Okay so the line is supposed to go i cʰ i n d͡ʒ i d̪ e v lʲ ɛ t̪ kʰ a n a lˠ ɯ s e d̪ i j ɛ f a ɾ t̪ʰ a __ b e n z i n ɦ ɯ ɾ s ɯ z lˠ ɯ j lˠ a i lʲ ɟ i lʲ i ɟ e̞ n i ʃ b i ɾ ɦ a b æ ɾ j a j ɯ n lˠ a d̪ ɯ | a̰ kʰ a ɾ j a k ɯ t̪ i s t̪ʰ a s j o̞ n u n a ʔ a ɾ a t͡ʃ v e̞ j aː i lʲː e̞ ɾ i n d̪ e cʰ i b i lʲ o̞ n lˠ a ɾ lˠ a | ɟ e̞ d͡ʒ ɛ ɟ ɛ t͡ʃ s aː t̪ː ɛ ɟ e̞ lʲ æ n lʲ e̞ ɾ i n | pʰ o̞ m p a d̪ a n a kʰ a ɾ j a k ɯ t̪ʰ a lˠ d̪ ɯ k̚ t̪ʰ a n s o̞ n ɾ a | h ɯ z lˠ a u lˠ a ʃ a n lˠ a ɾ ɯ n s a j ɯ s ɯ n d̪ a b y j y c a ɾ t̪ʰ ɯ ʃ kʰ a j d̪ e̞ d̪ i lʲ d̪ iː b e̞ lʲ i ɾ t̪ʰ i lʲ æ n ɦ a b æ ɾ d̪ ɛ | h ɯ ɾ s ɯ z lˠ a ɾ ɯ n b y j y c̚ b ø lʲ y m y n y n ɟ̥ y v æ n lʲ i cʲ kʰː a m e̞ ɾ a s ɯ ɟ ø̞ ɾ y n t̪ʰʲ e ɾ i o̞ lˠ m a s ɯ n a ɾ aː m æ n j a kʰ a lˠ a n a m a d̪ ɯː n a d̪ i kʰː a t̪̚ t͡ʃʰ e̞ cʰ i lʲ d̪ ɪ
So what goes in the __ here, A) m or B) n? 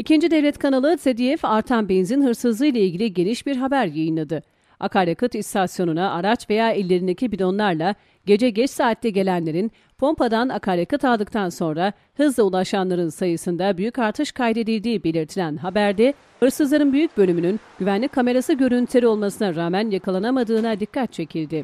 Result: B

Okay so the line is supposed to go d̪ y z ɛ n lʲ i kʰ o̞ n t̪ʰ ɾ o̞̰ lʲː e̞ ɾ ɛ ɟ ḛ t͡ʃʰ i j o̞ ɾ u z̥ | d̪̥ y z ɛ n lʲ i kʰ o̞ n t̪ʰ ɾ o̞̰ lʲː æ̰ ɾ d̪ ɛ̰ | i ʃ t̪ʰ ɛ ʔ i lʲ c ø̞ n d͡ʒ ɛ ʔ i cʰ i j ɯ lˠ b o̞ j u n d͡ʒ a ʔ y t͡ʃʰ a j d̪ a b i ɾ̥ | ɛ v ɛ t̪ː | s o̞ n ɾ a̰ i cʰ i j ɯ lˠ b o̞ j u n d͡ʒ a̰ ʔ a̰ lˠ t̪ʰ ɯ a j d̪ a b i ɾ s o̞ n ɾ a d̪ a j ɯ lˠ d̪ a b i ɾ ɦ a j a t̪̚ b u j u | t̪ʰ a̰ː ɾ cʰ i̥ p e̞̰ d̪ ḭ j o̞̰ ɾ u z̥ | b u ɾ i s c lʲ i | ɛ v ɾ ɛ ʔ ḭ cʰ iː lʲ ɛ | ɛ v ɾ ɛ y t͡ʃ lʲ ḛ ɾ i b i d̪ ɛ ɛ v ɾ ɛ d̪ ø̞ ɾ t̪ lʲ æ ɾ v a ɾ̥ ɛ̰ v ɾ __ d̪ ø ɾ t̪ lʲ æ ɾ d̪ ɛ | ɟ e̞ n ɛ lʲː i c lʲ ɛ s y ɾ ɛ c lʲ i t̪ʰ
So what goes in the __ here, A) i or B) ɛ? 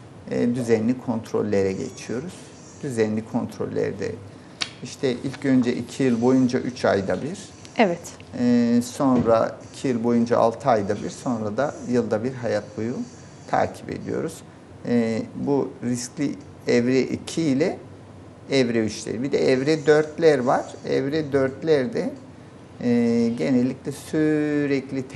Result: B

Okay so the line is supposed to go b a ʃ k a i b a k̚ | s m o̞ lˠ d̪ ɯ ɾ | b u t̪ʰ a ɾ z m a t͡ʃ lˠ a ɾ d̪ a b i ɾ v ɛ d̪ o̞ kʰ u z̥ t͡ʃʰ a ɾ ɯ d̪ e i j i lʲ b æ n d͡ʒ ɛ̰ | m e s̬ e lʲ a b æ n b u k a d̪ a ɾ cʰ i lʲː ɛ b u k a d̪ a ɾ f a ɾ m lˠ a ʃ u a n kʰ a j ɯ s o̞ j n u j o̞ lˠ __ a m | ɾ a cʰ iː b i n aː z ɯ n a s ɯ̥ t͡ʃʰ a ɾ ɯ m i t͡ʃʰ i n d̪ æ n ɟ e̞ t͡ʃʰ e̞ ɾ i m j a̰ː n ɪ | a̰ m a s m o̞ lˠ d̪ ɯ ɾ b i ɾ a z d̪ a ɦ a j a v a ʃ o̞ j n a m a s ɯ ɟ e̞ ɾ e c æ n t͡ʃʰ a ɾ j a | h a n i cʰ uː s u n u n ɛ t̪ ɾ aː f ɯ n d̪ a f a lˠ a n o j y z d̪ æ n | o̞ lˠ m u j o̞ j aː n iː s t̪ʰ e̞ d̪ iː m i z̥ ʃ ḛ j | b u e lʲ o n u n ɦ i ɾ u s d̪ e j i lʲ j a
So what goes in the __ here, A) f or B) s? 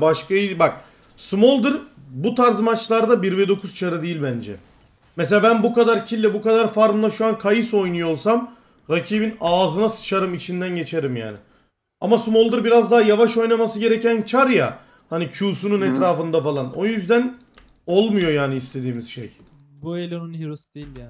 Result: B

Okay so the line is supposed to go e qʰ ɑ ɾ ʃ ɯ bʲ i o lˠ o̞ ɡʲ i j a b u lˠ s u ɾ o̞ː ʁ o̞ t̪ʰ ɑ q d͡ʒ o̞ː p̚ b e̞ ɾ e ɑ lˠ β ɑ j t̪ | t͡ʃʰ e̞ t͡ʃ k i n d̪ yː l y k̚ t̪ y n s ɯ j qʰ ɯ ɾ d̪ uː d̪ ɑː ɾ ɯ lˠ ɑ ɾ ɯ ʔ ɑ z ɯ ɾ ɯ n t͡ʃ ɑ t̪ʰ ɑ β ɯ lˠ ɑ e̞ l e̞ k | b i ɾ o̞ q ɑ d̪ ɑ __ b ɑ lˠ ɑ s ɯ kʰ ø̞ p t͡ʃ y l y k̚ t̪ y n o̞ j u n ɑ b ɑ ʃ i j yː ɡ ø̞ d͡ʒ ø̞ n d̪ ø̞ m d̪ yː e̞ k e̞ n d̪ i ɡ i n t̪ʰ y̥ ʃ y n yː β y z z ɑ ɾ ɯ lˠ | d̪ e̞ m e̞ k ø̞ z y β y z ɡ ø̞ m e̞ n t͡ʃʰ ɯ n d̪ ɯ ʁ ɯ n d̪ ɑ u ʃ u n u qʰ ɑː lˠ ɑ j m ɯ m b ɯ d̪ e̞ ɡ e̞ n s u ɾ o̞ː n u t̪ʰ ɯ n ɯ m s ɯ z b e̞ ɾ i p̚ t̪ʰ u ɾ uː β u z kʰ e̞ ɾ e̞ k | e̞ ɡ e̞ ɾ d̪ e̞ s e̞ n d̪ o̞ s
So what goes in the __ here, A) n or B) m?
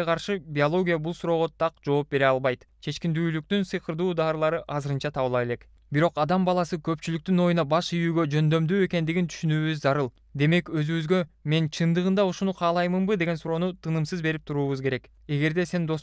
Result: B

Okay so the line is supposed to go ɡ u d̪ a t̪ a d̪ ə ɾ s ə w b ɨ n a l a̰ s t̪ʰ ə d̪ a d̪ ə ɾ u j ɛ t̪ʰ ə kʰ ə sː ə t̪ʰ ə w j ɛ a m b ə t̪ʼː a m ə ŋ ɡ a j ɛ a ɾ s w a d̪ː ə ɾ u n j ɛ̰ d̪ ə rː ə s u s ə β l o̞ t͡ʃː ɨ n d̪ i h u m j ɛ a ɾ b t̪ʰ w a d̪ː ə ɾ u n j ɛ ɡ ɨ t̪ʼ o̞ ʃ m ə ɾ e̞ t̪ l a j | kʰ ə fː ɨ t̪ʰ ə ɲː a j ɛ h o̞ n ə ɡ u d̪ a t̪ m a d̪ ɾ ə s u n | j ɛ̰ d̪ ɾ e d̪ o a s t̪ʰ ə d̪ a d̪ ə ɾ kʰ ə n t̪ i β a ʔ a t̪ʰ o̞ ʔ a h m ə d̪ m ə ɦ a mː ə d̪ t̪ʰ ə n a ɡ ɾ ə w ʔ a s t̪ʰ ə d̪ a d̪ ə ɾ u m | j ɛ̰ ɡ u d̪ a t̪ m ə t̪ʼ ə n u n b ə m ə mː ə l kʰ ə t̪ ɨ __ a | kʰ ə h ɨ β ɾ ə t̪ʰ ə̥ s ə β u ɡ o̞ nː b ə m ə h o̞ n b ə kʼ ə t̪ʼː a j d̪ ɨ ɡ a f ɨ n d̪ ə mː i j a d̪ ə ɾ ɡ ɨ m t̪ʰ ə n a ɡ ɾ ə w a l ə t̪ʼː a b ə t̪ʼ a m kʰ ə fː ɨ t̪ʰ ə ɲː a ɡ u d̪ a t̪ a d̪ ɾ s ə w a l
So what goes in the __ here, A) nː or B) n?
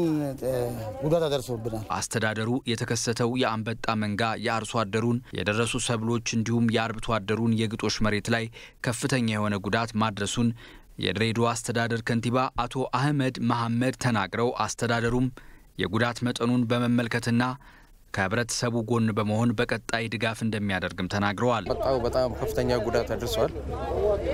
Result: A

